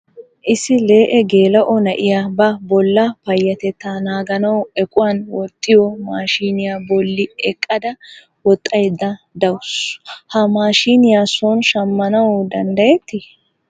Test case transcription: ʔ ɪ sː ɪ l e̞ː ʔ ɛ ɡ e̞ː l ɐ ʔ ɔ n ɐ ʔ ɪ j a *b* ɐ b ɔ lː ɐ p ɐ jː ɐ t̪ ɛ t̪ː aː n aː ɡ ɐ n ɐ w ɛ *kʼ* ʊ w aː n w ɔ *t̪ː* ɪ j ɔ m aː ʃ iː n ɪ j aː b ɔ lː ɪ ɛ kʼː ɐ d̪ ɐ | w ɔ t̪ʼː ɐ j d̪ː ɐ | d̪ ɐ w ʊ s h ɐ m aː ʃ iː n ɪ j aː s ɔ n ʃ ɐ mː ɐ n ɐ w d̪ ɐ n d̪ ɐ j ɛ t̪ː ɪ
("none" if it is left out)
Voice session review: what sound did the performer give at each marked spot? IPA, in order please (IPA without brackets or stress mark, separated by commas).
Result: b, kʼ, t̪ʼː